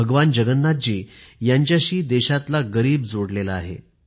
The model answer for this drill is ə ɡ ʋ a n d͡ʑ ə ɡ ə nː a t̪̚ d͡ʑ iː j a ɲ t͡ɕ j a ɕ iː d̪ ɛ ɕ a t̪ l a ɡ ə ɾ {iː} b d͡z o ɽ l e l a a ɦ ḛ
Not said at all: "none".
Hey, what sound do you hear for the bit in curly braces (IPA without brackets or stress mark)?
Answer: iː